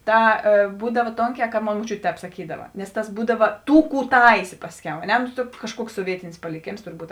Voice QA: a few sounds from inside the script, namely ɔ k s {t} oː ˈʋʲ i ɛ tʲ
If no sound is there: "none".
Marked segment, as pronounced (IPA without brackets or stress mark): s